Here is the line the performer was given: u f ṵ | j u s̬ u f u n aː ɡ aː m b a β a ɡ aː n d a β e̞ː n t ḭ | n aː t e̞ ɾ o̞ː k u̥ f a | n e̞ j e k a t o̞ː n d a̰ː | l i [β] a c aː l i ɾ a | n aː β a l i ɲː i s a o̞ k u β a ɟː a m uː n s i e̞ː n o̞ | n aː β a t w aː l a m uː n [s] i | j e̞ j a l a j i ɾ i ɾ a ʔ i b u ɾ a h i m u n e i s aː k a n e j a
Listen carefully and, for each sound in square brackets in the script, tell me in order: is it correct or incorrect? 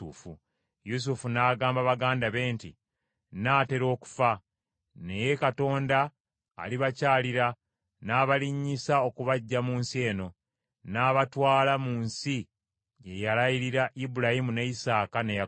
correct, correct

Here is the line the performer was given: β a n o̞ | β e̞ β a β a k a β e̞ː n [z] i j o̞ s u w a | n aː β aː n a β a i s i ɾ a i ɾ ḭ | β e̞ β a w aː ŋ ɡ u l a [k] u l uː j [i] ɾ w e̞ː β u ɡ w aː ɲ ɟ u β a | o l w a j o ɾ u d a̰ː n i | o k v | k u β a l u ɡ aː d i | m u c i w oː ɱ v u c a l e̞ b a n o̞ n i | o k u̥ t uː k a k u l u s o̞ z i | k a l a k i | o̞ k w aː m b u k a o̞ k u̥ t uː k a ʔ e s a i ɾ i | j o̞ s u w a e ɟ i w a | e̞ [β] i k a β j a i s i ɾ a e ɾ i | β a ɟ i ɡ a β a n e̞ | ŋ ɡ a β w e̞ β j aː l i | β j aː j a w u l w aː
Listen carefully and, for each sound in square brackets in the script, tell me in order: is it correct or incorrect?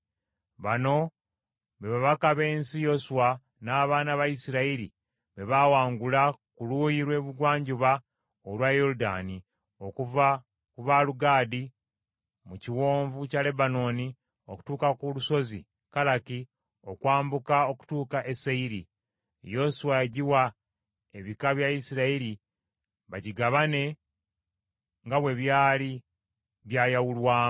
incorrect, correct, correct, correct

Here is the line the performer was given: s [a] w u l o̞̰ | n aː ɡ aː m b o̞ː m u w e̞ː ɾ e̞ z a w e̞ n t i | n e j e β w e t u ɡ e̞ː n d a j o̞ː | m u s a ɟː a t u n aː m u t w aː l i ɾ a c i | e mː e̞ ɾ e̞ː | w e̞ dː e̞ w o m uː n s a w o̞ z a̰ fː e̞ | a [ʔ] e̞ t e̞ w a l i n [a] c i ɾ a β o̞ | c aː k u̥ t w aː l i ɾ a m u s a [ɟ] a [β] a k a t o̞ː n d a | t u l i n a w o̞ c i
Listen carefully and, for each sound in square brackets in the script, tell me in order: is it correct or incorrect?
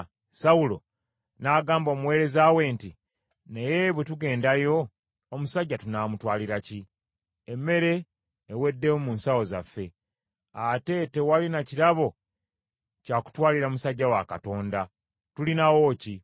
correct, incorrect, correct, incorrect, incorrect

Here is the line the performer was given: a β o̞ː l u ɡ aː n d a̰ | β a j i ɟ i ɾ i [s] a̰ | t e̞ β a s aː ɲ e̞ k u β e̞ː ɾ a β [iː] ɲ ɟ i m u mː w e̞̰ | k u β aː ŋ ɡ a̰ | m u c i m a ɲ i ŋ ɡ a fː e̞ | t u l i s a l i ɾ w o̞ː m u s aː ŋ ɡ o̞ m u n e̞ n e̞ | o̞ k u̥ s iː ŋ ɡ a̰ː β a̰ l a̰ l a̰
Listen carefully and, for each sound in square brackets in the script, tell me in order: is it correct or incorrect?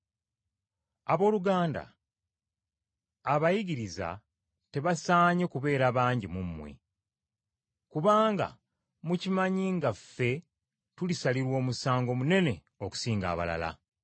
incorrect, incorrect

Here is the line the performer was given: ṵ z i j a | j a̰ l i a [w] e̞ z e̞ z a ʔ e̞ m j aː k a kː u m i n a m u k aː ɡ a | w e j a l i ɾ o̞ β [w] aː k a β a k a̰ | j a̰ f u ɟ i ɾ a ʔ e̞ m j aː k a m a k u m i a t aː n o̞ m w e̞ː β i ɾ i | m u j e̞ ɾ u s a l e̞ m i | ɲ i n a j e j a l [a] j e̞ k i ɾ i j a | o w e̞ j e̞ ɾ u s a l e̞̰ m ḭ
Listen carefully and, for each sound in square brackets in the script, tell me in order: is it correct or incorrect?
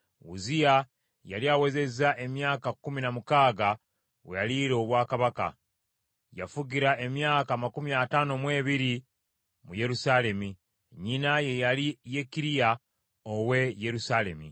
correct, correct, incorrect

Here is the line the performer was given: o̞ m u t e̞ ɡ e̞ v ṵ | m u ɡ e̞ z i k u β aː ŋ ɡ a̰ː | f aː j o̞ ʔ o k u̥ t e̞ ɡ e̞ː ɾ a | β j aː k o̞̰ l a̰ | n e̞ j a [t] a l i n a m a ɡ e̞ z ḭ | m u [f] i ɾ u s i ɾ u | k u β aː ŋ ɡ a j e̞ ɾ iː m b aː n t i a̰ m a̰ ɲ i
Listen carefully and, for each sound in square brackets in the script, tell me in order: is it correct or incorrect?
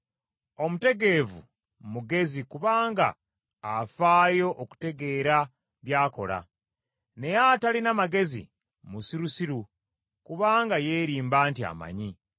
correct, incorrect

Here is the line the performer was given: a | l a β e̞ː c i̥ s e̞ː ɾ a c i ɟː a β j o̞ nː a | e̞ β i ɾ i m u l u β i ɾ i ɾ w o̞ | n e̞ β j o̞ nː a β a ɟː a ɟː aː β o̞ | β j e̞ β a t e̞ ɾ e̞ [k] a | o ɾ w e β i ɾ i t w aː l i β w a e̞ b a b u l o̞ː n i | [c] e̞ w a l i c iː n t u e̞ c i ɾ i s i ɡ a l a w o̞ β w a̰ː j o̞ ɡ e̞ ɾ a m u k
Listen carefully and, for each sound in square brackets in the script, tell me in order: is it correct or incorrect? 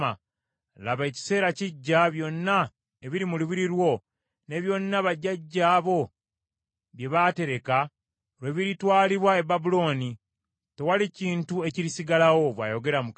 correct, incorrect

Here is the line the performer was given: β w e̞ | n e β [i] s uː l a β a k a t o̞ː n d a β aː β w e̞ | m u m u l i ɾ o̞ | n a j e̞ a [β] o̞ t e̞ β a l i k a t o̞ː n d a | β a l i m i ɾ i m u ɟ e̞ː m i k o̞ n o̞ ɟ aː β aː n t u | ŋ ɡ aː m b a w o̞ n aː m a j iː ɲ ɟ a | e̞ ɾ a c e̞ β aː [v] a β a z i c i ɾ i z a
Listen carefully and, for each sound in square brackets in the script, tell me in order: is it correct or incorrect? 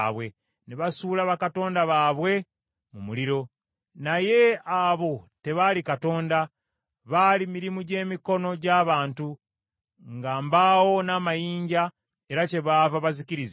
incorrect, correct, correct

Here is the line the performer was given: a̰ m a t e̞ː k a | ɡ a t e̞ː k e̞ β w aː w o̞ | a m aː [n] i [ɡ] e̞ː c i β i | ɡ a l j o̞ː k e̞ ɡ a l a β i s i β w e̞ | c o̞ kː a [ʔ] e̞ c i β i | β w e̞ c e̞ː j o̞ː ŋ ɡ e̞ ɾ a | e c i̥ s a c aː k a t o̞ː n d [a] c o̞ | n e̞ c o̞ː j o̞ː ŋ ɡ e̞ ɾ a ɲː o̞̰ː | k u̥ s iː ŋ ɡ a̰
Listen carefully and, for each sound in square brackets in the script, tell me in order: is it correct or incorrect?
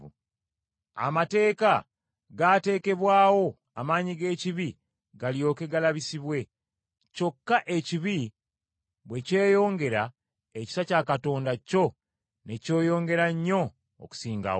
incorrect, correct, correct, correct

